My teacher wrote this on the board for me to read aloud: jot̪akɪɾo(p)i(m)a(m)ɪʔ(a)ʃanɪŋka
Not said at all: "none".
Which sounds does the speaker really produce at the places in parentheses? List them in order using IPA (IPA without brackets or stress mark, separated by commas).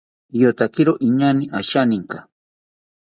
ʔ, ɲ, n, a